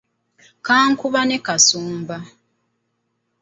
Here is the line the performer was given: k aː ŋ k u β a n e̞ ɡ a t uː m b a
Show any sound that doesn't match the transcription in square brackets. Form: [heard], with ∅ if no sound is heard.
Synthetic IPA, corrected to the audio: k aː ŋ k u β a n e̞ [k] a [s] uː m b a